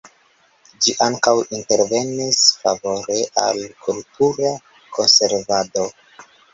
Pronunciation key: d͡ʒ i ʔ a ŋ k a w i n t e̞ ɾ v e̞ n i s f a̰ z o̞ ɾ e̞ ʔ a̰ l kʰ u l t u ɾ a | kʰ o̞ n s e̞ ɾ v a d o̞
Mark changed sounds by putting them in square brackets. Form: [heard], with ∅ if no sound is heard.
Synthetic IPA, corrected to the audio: d͡ʒ i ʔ a ŋ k a w i n t e̞ ɾ v e̞ n i s f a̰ [v] o̞ ɾ e̞ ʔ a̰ l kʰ u l t u ɾ a | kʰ o̞ n s e̞ ɾ v a d o̞